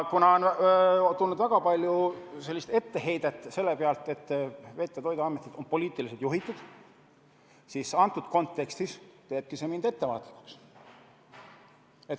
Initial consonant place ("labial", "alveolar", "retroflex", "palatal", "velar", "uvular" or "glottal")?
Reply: velar